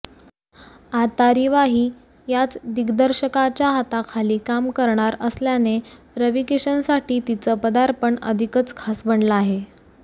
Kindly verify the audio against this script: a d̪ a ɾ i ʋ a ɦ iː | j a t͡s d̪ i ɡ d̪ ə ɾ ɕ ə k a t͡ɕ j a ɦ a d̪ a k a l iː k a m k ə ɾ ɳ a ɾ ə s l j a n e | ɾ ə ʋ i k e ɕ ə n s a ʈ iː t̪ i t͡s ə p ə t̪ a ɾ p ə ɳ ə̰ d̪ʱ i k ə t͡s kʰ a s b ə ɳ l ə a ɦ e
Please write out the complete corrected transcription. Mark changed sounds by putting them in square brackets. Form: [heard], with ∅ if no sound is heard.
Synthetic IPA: a [t̪] a ɾ i ʋ a ɦ iː | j a t͡s d̪ i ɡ d̪ ə ɾ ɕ ə k a t͡ɕ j a ɦ a [t̪] a [kʰ] a l iː k a m k ə ɾ ɳ a ɾ ə s l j a n e | ɾ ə ʋ i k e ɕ ə n s a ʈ iː t̪ i t͡s ə p ə [d̪] a ɾ p ə ɳ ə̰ d̪ʱ i k ə t͡s kʰ a s b ə ɳ l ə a ɦ e

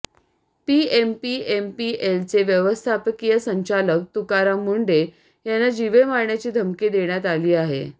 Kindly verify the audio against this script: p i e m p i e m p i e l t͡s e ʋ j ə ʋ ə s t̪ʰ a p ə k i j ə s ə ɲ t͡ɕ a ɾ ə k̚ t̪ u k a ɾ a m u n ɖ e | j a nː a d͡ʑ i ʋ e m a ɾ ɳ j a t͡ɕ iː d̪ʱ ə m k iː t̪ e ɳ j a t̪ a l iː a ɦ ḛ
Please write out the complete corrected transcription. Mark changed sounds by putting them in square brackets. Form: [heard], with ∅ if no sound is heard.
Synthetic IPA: p i e m p i e m p i e l t͡s e ʋ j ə ʋ ə s t̪ʰ a p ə k i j ə s ə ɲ t͡ɕ a [l] ə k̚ t̪ u k a ɾ a m u [ɳ] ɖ e | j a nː a d͡ʑ i ʋ e m a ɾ ɳ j a t͡ɕ iː d̪ʱ ə m k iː [d̪] e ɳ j a t̪ a l iː a ɦ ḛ

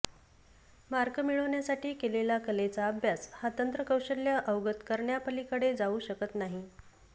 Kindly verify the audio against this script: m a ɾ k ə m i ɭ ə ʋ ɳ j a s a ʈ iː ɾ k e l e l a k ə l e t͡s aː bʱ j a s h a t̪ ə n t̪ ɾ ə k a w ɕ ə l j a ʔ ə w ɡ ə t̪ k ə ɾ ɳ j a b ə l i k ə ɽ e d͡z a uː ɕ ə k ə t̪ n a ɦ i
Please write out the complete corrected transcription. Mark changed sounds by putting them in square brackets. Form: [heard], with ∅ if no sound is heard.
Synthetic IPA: m a ɾ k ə m i ɭ ə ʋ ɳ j a s a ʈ iː [∅] k e l e l a k ə l e t͡s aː bʱ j a s h a t̪ ə n t̪ ɾ ə k [ə] w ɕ ə l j a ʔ ə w ɡ ə t̪ k ə ɾ ɳ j a [p] ə l i k ə ɽ e d͡z a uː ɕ ə k ə t̪ n a ɦ i

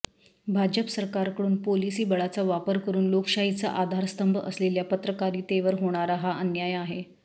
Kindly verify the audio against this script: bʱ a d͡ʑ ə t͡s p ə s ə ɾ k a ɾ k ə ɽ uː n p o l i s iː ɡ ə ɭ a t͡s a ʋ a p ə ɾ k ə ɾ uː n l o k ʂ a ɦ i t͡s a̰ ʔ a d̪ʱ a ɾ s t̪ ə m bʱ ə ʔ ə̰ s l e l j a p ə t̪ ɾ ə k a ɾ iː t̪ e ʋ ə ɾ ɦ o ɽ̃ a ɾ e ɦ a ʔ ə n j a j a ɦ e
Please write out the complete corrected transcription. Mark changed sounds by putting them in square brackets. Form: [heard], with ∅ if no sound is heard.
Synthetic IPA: bʱ a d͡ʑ ə [∅] p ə s ə ɾ k a ɾ k ə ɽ uː n p o l i s iː [b] ə ɭ a t͡s a ʋ a p ə ɾ k ə ɾ uː n l o k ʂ a ɦ i t͡s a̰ ʔ a d̪ʱ a ɾ s t̪ ə m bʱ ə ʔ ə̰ s l e l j a p ə t̪ ɾ ə k a ɾ iː t̪ e ʋ ə ɾ ɦ o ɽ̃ a ɾ [a] ɦ a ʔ ə n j a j a ɦ e

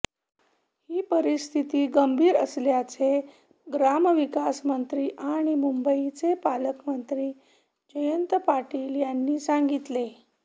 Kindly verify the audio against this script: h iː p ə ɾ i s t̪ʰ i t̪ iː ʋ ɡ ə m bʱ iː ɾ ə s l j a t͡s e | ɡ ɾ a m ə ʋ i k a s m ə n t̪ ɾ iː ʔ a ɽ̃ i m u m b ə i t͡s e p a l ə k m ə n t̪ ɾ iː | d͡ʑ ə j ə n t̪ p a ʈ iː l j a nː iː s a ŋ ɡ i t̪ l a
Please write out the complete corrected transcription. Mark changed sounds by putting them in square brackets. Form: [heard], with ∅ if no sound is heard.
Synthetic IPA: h iː p ə ɾ i s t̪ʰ i t̪ iː [∅] ɡ ə m bʱ iː ɾ ə s l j a t͡s e | ɡ ɾ a m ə ʋ i k a s m ə n t̪ ɾ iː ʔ a ɽ̃ i m u m b ə i t͡s e p a l ə k m ə n t̪ ɾ iː | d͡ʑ ə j ə n t̪ p a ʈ iː l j a nː iː s a ŋ ɡ i t̪ l [e]

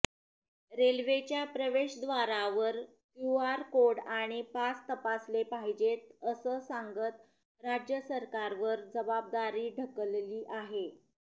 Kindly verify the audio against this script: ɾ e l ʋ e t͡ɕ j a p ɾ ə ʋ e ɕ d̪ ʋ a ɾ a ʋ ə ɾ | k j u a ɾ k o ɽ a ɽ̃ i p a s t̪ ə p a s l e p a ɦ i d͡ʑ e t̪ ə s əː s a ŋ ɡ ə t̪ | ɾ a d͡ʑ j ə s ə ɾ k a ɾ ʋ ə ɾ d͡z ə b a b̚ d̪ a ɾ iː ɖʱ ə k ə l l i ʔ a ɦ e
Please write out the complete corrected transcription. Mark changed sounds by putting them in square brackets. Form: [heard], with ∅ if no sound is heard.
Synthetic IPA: ɾ e l ʋ e t͡ɕ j a p ɾ ə ʋ e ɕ d̪ ʋ a ɾ a ʋ ə ɾ | k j u a ɾ k o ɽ a ɽ̃ i p a s t̪ ə p a s l e p a ɦ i d͡ʑ e t̪ ə s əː s a ŋ ɡ ə t̪ | ɾ a d͡ʑ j ə s ə ɾ k a ɾ ʋ ə ɾ d͡z ə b a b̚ d̪ a ɾ iː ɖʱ ə k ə l l [iː] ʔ a ɦ e

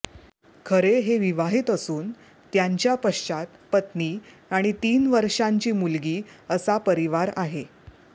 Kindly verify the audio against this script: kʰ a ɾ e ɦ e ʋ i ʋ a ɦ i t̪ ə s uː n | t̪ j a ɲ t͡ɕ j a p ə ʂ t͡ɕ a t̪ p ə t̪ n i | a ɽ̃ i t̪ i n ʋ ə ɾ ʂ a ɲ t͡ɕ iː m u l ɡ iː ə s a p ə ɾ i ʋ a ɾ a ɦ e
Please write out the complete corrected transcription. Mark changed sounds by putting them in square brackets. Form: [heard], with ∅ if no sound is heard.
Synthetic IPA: kʰ [ə] ɾ e ɦ e ʋ i ʋ a ɦ i t̪ ə s uː n | t̪ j a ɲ t͡ɕ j a p ə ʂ t͡ɕ a t̪ p ə t̪ n i | a ɽ̃ i t̪ [iː] n ʋ ə ɾ ʂ a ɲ t͡ɕ iː m u l ɡ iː ə s a p ə ɾ i ʋ a ɾ a ɦ e

